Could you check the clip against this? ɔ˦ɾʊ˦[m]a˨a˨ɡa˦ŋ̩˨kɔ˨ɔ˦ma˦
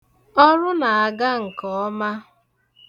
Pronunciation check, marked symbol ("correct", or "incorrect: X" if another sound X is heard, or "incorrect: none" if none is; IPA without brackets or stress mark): incorrect: n